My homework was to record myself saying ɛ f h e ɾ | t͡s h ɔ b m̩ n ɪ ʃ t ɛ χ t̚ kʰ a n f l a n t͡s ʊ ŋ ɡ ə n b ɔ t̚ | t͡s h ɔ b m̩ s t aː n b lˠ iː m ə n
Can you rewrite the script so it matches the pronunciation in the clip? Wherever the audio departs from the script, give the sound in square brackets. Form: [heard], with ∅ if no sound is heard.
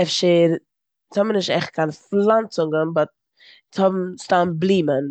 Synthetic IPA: ɛ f [ʃ] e ɾ | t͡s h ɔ b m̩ n ɪ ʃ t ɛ χ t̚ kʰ a n f l a n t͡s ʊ ŋ ɡ ə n b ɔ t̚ | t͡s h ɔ b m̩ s t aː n b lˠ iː m ə n